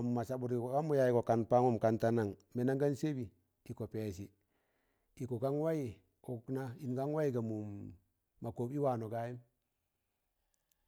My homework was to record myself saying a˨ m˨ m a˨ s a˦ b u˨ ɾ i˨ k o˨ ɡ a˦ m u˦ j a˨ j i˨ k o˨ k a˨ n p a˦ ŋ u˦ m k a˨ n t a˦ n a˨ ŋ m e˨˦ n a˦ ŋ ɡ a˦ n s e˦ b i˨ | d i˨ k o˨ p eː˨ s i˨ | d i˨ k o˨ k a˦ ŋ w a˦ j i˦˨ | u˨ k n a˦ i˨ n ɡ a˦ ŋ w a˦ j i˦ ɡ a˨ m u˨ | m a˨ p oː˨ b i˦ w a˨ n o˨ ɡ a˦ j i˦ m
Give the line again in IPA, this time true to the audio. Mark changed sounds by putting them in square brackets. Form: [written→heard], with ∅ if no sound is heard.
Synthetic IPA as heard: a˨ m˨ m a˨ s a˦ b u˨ ɾ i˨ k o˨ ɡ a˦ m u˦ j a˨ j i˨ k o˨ k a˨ n p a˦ ŋ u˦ m k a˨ n t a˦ n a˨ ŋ m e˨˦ n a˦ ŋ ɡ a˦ n s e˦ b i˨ | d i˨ k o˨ p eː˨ s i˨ | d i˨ k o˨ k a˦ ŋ w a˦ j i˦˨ | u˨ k n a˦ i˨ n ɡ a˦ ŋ w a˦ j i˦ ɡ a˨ m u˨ | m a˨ [p→k] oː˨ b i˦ w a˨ n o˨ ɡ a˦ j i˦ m

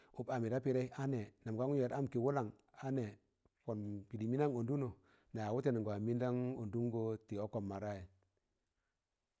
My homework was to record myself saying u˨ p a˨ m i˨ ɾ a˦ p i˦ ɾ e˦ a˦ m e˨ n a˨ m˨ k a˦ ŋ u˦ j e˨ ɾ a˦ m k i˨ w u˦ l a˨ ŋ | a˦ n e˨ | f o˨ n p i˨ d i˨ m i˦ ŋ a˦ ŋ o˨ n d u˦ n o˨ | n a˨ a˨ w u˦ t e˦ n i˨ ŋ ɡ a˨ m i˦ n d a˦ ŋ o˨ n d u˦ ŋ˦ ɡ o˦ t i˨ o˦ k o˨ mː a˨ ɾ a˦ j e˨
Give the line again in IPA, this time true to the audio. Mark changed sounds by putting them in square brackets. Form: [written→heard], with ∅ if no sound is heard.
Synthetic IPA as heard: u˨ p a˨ m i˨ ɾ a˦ p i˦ ɾ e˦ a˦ [m→n] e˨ n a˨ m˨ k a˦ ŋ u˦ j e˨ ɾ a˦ m k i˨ w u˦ l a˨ ŋ | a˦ n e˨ | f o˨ n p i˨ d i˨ m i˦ [ŋ→n] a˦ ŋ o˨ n d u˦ n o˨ | n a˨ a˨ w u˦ t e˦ n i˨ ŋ ɡ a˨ m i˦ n d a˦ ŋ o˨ n d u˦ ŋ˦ ɡ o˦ t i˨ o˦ k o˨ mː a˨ ɾ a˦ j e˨

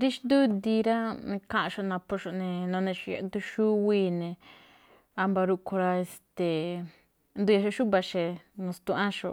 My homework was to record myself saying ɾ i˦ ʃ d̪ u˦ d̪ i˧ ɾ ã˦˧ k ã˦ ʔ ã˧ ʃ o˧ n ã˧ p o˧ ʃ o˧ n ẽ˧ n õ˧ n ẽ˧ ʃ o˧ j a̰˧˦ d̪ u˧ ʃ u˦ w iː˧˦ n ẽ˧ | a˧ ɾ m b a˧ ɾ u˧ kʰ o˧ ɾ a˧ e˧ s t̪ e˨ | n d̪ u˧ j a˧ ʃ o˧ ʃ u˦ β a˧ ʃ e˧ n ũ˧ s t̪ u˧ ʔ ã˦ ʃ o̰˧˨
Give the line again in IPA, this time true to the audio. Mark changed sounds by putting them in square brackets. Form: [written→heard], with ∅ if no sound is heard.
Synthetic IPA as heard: ɾ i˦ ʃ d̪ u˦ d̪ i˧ ɾ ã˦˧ k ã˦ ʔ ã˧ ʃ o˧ n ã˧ p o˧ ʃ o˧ n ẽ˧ n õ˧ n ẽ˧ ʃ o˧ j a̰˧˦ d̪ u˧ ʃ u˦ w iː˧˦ n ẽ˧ | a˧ [ɾ→∅] m b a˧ ɾ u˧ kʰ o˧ ɾ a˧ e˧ s t̪ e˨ | n d̪ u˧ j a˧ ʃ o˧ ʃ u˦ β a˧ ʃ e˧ n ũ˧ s t̪ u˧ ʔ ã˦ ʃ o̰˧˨

